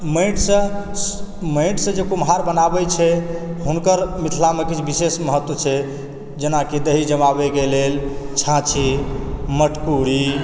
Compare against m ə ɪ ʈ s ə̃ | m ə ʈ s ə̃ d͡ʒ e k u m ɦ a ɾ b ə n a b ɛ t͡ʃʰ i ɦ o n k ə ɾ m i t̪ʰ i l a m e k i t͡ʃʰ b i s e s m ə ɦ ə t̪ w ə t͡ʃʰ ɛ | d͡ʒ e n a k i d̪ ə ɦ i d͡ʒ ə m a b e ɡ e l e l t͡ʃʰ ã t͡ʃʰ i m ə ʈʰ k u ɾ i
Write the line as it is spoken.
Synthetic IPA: m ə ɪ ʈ s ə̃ | m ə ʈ s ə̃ d͡ʒ e k u m ɦ a ɾ b ə n a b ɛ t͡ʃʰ ɛ ɦ u n k ə ɾ m i t̪ʰ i l a m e k i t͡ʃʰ b i s e s m ə ɦ ə t̪ w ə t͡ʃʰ ɛ | d͡ʒ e n a k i d̪ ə ɦ i d͡ʒ ə m a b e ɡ e l e l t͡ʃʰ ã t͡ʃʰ i m ə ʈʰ k u ɾ i